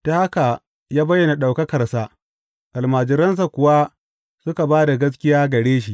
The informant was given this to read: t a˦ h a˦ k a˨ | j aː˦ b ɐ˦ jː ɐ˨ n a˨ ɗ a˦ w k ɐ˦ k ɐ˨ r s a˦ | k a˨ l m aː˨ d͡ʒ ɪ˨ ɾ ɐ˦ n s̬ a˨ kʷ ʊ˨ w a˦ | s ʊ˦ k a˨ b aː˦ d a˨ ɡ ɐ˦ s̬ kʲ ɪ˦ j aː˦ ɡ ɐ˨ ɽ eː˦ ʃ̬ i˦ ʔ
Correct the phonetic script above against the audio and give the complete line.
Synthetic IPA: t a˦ h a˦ k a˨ | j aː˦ b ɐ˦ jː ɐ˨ n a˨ ɗ a˨ w k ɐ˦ k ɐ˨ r s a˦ | ʔ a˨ l m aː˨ d͡ʒ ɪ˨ ɾ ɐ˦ n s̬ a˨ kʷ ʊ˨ w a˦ | s ʊ˦ k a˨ b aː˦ d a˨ ɡ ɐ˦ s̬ kʲ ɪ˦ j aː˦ ɡ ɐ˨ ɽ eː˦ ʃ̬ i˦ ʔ